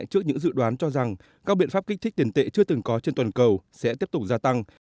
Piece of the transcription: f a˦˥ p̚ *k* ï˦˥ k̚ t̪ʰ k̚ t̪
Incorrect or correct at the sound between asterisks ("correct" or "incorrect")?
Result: correct